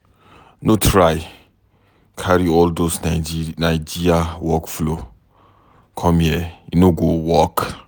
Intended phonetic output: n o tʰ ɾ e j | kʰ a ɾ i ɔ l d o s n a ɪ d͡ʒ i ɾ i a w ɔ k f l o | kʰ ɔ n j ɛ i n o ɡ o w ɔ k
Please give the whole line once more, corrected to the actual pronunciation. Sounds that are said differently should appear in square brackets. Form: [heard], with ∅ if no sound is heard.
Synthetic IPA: n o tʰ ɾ [a] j | kʰ a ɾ i ɔ l d o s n a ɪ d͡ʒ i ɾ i a w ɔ k f l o | kʰ ɔ [m] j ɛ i n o ɡ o w ɔ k